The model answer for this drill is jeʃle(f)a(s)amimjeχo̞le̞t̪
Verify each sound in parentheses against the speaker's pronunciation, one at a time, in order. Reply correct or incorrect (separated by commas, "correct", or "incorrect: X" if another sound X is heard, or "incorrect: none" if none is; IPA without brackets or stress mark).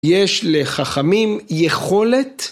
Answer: incorrect: χ, incorrect: χ